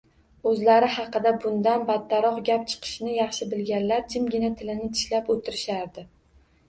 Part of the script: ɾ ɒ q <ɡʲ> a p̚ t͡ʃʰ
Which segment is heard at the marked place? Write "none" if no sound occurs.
ɡʲ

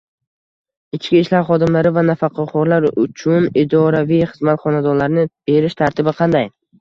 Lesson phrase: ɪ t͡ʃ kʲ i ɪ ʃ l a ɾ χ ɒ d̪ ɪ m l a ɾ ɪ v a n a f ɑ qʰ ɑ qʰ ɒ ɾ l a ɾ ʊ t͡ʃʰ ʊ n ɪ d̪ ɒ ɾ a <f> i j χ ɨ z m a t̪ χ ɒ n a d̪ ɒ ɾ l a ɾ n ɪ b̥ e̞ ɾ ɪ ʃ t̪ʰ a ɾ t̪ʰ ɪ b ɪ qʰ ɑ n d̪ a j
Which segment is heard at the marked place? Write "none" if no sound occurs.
v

